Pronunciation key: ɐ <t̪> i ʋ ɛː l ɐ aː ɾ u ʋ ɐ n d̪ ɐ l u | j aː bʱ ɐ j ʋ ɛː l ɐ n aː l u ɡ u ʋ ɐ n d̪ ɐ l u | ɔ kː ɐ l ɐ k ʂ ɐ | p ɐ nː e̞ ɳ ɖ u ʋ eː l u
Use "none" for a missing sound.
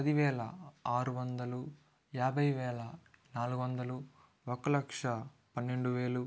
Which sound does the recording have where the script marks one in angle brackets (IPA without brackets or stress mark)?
d̪